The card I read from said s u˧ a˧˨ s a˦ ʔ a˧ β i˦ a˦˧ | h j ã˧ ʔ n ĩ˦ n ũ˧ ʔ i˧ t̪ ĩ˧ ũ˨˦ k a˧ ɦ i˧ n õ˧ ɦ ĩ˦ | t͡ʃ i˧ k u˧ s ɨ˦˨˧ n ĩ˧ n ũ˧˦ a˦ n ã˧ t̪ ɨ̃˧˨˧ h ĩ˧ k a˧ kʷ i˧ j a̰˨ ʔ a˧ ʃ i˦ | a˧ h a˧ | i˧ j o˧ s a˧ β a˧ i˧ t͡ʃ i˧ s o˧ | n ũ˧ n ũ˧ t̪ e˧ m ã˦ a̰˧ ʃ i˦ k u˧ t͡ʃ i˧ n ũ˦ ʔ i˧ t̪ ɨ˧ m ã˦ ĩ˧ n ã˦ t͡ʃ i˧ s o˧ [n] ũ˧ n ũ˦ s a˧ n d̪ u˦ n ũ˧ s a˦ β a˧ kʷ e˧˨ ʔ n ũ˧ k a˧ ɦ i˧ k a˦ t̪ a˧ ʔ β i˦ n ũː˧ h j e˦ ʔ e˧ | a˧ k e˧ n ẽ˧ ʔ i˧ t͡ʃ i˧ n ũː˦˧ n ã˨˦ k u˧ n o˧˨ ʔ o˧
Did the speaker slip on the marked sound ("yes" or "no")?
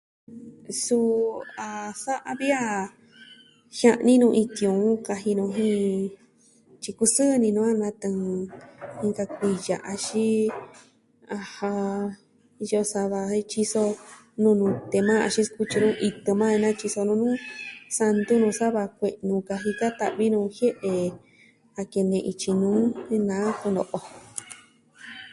no